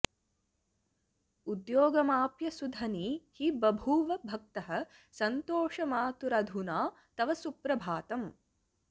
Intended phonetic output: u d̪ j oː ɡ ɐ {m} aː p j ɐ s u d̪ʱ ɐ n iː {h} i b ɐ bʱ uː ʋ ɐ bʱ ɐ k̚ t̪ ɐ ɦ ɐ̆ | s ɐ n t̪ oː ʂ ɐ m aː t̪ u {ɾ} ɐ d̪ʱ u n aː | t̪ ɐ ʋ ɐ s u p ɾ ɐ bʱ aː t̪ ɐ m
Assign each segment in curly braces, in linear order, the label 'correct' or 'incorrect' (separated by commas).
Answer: correct, correct, correct